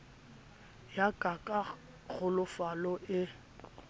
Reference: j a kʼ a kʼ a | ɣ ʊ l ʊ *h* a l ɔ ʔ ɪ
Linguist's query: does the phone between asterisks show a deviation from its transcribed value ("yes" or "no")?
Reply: yes